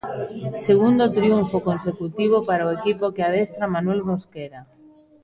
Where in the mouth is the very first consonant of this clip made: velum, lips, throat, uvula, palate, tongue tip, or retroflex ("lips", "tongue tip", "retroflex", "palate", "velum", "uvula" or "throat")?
tongue tip